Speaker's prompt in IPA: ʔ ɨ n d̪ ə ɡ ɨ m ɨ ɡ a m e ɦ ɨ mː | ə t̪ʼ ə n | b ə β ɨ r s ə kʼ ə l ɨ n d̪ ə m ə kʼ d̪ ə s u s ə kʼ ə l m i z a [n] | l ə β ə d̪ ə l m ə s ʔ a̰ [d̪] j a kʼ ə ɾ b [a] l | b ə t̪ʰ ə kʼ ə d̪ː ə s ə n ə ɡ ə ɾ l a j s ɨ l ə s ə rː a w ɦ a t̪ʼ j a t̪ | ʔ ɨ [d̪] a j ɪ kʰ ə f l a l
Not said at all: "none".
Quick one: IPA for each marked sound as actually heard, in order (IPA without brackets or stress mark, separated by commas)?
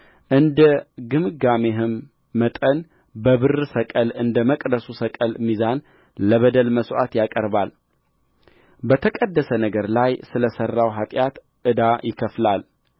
n, t̪, a, d̪